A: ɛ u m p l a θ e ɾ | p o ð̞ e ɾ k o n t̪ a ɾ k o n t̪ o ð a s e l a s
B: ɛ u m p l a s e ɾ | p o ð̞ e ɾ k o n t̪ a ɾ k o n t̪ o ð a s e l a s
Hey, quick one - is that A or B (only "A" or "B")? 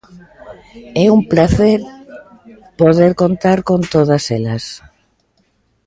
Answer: A